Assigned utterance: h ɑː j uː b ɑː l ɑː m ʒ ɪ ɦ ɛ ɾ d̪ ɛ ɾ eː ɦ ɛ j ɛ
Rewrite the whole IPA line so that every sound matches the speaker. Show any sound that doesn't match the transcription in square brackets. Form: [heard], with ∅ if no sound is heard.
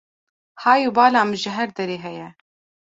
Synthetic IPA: h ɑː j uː b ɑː l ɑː m ʒ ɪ ɦ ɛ ɾ d̪ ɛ ɾ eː ɦ ɛ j ɛ